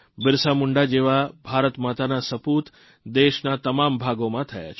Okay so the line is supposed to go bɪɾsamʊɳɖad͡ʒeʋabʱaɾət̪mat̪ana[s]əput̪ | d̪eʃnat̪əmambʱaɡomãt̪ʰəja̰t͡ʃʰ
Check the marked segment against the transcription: correct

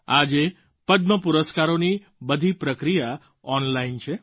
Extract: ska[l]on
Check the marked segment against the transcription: incorrect: ɾ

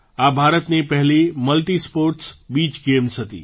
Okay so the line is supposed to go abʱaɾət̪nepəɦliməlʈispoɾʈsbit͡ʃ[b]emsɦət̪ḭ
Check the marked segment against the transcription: incorrect: ɡ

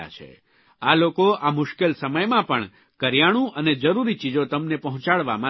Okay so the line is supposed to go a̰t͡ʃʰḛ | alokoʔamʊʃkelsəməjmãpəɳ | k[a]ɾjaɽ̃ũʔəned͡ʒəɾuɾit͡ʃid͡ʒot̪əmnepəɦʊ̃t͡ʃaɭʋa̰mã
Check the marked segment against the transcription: incorrect: ə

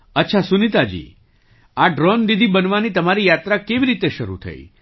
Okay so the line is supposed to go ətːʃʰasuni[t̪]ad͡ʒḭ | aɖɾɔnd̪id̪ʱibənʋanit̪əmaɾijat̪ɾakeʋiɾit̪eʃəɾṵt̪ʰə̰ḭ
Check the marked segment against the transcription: correct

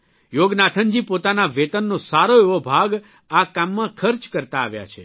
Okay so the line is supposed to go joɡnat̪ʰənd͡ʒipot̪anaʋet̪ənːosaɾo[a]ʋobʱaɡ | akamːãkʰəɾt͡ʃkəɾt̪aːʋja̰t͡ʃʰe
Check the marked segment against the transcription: incorrect: e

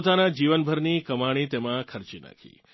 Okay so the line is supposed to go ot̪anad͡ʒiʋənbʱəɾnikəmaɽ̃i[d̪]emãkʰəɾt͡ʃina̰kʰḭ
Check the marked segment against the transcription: incorrect: t̪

